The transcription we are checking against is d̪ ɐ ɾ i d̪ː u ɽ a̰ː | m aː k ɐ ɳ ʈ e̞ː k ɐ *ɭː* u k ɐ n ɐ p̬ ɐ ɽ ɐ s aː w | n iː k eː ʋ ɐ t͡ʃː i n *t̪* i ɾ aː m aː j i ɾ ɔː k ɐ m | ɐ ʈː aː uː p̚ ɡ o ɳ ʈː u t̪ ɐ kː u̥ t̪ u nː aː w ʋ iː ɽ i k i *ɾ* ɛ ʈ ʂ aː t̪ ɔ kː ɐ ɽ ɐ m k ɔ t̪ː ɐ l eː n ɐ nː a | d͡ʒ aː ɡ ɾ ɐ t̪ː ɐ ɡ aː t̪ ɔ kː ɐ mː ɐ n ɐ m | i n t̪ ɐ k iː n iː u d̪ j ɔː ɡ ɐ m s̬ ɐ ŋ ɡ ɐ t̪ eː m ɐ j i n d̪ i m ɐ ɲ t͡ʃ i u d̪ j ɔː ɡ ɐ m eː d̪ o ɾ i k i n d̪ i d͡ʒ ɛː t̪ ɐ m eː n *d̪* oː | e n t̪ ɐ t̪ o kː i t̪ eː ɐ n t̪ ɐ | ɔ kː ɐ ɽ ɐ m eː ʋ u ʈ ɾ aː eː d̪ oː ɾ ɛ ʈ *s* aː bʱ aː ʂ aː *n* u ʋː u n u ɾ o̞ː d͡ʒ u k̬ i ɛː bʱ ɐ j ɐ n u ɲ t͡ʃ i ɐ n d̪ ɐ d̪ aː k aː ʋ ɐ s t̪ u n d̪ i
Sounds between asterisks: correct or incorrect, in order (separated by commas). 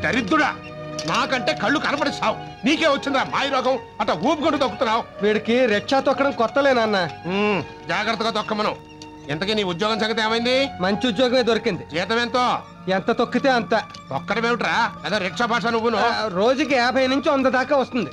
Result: correct, incorrect, correct, incorrect, incorrect, correct